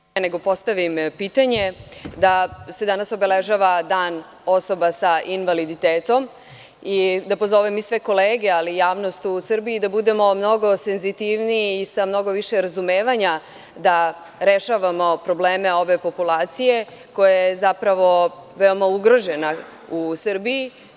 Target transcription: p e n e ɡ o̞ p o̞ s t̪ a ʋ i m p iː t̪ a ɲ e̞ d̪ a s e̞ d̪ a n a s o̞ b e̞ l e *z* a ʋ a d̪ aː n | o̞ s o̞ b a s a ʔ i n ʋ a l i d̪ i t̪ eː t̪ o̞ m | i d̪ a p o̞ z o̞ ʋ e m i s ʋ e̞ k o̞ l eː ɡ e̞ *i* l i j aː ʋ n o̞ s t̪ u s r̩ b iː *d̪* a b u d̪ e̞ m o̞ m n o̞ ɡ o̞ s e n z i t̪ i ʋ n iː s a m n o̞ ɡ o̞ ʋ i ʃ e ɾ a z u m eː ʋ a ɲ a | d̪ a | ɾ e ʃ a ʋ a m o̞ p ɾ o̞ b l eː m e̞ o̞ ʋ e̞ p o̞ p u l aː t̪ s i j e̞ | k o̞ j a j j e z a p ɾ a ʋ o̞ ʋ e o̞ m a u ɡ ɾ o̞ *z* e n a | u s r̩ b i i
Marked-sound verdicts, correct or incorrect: incorrect: ʒ, incorrect: a, correct, incorrect: ʒ

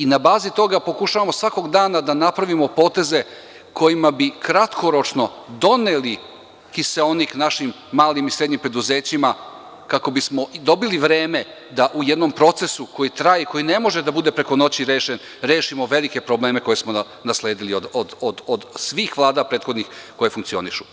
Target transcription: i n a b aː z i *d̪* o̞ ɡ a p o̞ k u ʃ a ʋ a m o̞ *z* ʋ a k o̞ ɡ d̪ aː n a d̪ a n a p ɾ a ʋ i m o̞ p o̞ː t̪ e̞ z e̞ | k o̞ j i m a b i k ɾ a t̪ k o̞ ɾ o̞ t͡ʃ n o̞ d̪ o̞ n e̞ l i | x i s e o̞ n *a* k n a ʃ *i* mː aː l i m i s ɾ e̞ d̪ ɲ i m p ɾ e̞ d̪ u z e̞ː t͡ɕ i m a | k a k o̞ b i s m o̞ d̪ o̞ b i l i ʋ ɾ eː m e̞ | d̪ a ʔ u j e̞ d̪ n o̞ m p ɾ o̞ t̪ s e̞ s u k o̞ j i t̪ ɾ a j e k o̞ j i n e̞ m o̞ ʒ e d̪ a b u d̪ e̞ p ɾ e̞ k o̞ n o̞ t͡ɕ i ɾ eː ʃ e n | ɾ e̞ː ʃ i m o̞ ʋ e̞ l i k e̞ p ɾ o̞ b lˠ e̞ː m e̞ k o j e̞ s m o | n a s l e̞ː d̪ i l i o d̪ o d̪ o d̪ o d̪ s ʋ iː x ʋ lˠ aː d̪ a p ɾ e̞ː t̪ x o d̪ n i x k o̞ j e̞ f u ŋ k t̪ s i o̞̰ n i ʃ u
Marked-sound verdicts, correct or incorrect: incorrect: t̪, incorrect: s, incorrect: i, correct

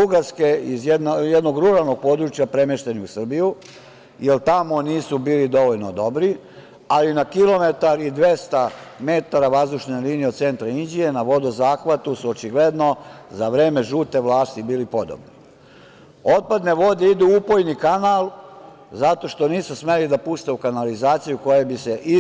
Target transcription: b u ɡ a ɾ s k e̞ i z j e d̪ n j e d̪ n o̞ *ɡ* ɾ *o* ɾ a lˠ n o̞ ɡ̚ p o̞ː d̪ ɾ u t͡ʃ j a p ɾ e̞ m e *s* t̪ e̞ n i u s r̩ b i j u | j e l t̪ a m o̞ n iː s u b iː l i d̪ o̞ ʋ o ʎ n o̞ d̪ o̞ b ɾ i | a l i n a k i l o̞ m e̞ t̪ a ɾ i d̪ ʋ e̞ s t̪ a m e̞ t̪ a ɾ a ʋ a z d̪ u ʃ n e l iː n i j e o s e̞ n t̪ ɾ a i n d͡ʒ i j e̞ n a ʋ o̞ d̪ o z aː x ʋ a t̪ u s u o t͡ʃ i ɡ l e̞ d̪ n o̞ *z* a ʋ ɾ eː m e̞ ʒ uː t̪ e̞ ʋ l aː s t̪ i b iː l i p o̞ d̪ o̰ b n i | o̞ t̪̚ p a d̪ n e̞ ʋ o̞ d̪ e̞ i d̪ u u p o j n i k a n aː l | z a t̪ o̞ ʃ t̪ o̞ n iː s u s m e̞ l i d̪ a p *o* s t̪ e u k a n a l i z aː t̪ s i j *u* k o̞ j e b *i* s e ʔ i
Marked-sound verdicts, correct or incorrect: correct, incorrect: u, incorrect: ʃ, correct, incorrect: u, correct, correct

